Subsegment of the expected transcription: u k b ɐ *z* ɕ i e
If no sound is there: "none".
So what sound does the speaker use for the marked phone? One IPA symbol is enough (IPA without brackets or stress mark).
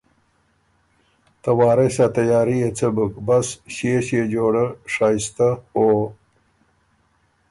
s